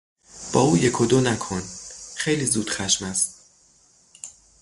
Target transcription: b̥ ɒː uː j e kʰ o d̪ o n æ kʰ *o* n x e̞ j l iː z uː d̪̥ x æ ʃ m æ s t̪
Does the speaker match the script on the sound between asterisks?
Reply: yes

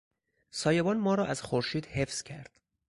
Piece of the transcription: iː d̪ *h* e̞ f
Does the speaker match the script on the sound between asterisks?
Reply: yes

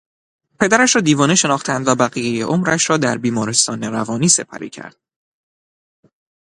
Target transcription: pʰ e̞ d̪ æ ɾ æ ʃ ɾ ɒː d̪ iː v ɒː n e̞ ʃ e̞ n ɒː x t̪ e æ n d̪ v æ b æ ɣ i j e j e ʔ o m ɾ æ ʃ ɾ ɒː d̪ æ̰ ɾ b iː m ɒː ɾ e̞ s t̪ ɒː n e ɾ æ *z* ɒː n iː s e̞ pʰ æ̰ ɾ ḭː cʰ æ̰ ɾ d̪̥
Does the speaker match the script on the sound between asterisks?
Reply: no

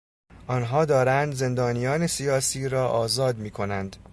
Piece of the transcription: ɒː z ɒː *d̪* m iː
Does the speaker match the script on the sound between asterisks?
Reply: yes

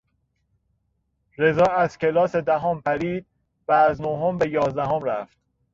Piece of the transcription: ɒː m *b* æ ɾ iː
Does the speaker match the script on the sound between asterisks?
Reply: no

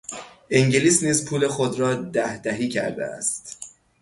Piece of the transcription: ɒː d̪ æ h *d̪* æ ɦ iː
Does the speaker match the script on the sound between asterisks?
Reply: yes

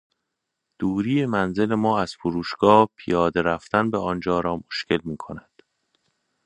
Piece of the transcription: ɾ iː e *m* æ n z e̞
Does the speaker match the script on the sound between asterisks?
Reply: yes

